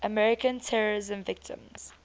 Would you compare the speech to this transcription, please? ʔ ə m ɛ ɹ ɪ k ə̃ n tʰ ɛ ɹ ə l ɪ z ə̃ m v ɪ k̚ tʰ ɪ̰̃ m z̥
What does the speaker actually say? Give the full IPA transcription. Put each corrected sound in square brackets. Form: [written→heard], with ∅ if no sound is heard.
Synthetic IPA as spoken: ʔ ə m ɛ ɹ ɪ k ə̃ n tʰ ɛ ɹ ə [l→ɹ] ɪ z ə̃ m v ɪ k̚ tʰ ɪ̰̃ m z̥